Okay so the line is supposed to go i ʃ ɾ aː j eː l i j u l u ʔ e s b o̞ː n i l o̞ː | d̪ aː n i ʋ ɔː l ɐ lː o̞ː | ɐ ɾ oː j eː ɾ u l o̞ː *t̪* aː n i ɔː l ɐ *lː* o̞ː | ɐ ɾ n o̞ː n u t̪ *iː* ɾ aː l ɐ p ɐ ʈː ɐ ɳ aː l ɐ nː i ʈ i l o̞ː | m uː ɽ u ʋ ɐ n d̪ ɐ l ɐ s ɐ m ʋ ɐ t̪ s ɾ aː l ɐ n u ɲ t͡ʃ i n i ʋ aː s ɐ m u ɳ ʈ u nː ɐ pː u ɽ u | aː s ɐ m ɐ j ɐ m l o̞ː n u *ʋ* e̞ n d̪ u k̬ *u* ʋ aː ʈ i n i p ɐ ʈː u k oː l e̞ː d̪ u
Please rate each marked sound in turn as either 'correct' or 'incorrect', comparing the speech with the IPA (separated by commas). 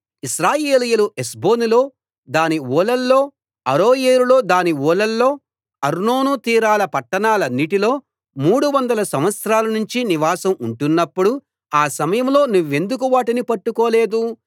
incorrect, correct, correct, incorrect, correct